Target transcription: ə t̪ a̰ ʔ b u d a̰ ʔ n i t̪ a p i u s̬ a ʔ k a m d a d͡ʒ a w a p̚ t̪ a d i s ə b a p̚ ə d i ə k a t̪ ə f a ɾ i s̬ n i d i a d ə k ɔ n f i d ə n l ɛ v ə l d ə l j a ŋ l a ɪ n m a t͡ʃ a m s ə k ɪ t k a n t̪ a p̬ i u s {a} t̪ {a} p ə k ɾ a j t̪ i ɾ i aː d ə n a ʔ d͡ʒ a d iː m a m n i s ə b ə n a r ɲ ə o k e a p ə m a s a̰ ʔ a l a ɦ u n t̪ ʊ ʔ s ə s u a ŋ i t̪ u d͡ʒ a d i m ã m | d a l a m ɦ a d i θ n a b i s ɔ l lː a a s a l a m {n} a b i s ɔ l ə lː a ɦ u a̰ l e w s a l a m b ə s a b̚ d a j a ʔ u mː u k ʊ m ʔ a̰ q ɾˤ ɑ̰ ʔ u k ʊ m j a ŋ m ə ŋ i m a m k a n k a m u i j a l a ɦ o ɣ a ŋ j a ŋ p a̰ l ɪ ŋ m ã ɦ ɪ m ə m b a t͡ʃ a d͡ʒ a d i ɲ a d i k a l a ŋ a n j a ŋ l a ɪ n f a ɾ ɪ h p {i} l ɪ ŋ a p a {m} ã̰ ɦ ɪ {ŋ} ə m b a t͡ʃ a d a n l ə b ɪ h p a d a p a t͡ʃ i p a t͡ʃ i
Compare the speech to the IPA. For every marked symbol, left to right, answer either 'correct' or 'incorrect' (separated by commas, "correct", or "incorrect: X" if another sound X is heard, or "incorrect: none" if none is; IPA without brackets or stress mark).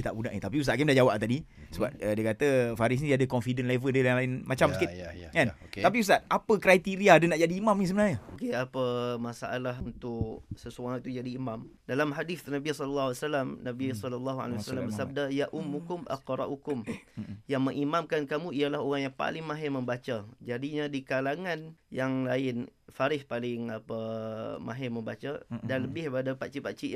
correct, correct, correct, incorrect: a, correct, incorrect: m